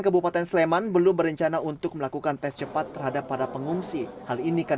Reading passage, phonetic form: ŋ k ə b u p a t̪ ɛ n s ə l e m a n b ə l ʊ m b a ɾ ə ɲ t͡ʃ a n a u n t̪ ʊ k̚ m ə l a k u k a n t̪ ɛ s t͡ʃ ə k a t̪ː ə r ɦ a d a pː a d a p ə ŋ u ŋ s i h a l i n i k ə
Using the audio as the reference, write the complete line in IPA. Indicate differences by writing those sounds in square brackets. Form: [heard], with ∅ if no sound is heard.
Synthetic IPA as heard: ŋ k ə b u p a t̪ ɛ n s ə l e m a n b ə l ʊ m b [ə] ɾ ə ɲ t͡ʃ a n a u n t̪ ʊ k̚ m ə l a k u k a n t̪ ɛ s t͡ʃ ə [p] a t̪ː ə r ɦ a d a pː a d a p ə ŋ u ŋ s i h a l i n i k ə